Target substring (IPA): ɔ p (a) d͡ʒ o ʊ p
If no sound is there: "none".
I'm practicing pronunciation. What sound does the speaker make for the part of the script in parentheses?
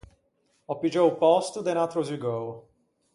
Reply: i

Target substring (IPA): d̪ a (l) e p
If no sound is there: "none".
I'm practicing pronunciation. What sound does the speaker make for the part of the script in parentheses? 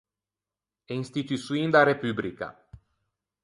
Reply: ɾ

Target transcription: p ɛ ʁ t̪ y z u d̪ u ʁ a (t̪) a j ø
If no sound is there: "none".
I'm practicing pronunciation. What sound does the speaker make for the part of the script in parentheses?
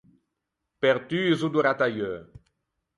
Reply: t̪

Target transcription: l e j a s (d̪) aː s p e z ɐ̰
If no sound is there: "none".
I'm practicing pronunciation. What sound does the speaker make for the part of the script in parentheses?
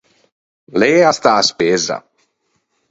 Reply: t̪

